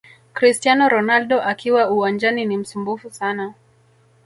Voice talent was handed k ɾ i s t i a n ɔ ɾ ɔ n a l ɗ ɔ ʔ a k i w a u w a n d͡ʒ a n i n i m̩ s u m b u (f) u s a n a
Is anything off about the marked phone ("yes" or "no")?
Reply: no